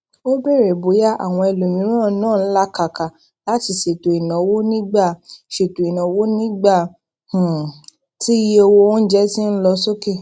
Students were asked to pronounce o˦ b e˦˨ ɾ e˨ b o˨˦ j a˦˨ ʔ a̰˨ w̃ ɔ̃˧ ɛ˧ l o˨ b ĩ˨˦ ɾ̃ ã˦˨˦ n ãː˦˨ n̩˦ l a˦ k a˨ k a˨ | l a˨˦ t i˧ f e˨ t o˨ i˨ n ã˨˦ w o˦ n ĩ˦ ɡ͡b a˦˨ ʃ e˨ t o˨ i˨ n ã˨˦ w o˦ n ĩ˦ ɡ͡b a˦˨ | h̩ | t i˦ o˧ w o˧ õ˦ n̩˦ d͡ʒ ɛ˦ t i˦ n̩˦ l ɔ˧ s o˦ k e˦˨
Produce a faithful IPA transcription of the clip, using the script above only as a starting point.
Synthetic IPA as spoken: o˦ b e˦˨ ɾ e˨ b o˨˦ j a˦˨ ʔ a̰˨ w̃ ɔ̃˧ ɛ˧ l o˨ m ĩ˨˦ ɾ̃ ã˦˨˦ n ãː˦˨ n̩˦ l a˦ k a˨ k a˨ | l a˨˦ t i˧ ʃ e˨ t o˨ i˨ n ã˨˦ w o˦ n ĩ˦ ɡ͡b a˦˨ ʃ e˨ t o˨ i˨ n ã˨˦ w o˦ n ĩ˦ ɡ͡b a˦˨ | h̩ | t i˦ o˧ w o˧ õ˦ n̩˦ d͡ʒ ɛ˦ t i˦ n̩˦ l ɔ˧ s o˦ k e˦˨

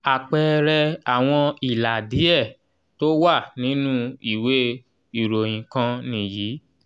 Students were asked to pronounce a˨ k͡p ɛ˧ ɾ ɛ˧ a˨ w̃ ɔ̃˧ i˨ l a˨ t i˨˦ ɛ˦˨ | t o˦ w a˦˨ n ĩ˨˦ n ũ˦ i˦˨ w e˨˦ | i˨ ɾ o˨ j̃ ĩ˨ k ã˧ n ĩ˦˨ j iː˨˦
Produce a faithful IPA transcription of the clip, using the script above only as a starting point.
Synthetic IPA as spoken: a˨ k͡p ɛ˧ ɾ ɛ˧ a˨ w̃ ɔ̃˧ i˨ l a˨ d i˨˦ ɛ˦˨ | t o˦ w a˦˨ n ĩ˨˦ n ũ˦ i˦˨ w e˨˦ | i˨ ɾ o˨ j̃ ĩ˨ k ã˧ n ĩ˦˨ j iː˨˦

